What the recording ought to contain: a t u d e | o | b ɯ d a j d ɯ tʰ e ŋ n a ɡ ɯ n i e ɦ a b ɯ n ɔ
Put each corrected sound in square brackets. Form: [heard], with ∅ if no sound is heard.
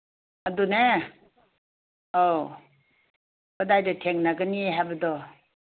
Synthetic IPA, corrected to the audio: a [d] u [n] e | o | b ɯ d a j d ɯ tʰ e ŋ n a ɡ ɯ n i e ɦ a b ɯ [d] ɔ